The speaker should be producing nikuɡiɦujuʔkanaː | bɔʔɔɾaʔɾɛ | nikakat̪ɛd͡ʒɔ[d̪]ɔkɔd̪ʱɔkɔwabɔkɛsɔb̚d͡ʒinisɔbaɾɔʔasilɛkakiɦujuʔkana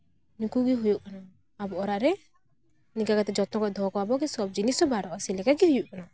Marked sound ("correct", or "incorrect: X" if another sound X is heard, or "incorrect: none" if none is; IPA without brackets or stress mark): incorrect: t̪